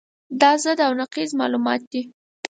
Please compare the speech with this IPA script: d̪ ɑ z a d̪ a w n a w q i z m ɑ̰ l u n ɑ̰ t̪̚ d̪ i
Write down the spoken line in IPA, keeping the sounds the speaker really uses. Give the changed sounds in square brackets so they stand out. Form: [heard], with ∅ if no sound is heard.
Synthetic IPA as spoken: d̪ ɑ z [ə] d̪ a w n a [∅] q i z m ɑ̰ l u [m] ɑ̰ t̪̚ d̪ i